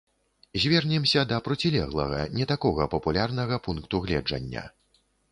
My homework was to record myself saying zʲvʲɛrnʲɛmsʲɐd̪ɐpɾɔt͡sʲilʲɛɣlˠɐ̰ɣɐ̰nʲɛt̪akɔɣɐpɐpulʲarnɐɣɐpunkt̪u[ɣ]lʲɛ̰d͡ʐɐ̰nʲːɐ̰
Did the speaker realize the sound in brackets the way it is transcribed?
yes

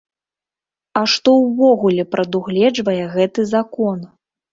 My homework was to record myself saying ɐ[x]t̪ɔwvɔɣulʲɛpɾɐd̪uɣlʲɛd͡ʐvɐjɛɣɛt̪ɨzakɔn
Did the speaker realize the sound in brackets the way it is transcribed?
no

